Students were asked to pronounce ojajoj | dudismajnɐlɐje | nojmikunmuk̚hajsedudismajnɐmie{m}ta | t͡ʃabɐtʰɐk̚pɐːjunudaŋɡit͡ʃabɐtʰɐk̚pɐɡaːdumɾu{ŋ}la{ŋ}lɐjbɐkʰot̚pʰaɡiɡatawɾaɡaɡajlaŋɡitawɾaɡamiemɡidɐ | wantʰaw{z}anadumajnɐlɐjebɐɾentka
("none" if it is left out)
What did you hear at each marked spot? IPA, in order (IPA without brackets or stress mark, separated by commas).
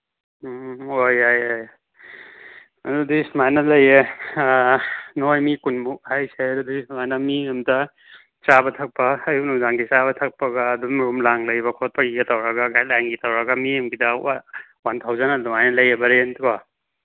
m, m, ŋ, z